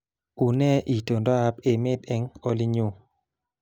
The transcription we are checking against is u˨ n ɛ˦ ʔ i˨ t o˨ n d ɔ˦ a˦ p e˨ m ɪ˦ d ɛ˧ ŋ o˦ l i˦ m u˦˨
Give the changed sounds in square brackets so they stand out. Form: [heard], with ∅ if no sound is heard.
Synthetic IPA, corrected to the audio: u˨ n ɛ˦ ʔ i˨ t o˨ n d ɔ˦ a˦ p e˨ m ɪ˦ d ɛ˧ ŋ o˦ l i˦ [ɲ] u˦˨